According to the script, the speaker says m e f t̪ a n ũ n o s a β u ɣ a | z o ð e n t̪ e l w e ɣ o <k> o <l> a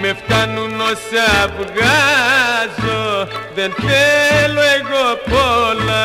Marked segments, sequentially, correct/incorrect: incorrect, correct

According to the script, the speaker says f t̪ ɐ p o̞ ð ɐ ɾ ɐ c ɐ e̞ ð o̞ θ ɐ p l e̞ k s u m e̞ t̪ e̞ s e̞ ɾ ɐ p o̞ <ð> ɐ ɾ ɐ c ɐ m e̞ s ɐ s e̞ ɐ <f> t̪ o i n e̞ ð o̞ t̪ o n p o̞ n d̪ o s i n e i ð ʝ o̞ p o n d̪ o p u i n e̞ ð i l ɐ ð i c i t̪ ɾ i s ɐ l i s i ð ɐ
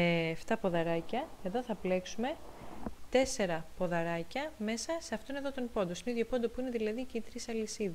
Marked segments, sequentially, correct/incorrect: correct, correct

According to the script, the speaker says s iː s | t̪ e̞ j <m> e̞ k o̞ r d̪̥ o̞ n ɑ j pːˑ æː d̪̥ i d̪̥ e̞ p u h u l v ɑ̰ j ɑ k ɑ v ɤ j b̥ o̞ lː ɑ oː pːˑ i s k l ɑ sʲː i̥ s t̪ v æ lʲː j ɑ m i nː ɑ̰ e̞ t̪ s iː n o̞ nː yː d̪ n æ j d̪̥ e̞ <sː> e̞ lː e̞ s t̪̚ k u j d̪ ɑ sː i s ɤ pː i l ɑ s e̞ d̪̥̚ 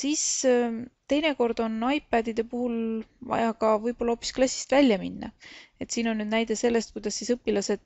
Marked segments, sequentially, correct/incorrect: incorrect, incorrect

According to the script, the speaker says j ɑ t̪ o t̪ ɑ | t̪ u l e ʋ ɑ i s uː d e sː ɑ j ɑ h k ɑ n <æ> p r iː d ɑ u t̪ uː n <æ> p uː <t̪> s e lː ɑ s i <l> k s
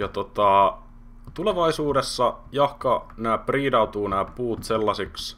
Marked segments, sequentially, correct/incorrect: incorrect, incorrect, correct, incorrect

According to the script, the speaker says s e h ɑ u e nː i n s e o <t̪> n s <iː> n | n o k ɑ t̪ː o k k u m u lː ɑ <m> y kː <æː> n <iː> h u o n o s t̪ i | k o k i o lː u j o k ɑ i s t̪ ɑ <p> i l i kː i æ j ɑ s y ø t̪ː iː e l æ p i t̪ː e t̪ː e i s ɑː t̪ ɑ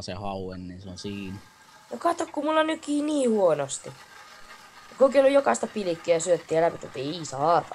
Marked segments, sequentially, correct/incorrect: incorrect, correct, incorrect, incorrect, correct, correct

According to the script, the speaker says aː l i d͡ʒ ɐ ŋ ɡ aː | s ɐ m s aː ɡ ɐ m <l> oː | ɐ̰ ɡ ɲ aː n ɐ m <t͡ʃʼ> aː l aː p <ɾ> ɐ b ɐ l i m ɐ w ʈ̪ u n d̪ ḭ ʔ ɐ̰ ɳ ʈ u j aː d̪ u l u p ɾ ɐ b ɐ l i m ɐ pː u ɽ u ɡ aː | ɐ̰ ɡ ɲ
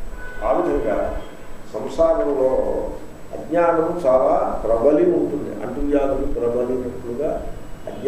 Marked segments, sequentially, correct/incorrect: correct, incorrect, correct

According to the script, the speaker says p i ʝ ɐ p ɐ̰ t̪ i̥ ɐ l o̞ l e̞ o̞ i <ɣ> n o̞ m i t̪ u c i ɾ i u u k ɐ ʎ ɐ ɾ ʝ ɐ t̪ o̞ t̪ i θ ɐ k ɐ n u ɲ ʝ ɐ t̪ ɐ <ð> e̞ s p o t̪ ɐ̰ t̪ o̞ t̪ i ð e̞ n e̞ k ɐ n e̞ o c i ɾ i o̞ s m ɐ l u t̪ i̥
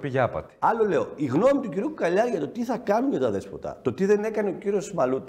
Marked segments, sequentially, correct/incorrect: correct, correct

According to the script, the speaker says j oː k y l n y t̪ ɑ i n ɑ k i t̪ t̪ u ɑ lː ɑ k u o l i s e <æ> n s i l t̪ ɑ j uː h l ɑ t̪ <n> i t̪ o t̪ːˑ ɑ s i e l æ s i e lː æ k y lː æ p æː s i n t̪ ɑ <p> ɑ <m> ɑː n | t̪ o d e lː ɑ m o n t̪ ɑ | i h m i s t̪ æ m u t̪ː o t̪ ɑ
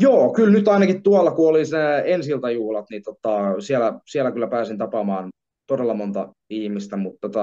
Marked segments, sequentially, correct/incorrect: incorrect, correct, correct, correct

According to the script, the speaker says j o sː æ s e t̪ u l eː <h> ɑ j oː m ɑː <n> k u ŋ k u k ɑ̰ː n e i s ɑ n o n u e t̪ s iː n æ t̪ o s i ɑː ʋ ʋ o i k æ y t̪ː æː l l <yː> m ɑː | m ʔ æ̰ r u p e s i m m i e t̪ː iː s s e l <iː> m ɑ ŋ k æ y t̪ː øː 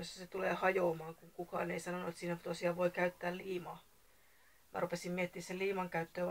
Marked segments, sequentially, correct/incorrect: correct, incorrect, incorrect, correct

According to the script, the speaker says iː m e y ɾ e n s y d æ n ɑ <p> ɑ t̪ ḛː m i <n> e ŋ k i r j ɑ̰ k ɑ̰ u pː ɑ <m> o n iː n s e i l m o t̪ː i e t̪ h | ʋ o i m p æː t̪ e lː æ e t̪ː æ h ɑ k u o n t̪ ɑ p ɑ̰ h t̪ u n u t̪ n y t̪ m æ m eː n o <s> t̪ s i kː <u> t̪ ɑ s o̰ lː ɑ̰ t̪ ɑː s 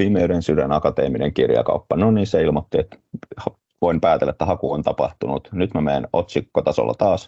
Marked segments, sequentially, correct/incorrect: incorrect, correct, incorrect, incorrect, incorrect

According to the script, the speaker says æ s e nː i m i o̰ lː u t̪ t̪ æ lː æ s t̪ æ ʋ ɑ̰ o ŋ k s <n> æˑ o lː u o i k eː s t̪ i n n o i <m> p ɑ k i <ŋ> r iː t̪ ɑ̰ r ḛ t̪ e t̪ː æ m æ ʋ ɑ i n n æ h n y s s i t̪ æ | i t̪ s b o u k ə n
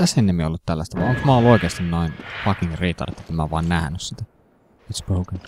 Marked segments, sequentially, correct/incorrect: incorrect, incorrect, correct

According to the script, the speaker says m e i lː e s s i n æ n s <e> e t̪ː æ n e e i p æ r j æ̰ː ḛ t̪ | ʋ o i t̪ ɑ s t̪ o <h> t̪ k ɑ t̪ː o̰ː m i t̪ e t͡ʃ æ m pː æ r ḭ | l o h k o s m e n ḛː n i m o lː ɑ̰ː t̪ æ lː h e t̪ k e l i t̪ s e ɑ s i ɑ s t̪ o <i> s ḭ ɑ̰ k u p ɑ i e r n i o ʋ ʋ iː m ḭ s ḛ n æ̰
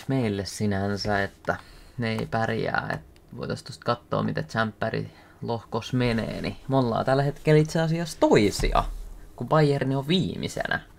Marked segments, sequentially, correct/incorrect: incorrect, incorrect, correct

